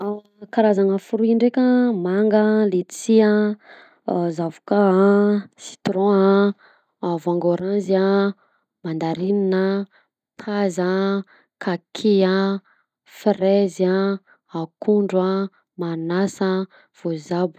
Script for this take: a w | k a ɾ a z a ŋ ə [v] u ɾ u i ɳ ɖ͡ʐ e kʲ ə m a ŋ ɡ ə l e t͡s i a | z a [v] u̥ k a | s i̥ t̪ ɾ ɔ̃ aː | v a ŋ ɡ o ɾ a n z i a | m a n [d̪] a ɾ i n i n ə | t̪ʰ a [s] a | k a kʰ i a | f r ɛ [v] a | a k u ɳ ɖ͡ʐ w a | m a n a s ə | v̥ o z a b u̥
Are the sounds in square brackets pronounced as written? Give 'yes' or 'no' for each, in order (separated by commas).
no, yes, yes, no, no